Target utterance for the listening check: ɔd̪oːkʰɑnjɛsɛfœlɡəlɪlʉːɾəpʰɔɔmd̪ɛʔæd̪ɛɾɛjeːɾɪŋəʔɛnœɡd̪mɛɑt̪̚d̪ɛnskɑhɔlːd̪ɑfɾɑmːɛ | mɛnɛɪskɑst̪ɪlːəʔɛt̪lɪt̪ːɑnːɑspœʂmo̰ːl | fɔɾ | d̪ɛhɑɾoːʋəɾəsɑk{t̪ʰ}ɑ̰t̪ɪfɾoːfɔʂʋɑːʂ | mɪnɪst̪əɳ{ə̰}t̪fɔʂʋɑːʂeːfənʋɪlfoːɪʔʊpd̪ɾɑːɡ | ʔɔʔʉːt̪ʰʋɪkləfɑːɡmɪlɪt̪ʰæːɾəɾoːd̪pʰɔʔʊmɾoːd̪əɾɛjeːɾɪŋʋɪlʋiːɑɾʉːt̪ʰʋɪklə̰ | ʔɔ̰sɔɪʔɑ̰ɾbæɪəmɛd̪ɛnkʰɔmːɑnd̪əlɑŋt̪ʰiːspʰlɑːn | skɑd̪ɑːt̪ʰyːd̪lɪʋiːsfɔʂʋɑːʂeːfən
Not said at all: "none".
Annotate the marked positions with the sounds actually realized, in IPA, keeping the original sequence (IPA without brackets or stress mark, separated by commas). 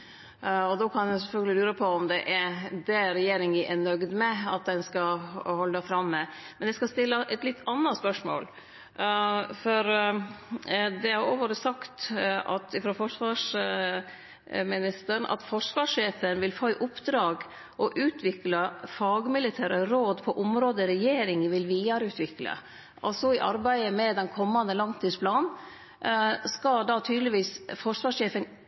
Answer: t̪, ɑ̰